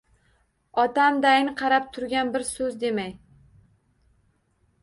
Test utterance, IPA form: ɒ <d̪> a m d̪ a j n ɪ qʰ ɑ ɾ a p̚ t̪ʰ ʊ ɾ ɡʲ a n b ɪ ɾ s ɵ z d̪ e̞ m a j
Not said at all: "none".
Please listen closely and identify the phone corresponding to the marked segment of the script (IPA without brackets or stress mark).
t̪